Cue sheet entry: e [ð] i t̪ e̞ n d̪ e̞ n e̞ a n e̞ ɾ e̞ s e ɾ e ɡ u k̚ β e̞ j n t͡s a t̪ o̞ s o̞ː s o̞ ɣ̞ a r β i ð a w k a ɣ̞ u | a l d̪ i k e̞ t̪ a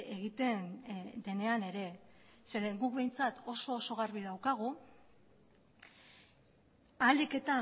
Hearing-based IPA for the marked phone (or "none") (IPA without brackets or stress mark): ɣ